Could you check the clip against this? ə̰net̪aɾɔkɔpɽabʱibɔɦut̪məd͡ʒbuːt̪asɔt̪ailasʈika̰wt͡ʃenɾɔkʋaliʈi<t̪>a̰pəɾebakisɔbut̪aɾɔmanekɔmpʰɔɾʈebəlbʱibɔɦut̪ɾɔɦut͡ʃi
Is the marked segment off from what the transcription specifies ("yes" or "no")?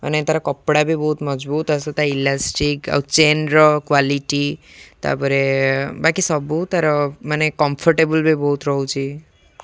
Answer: no